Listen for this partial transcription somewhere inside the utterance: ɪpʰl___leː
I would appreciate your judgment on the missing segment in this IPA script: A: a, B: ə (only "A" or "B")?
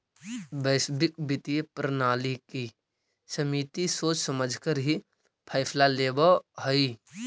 A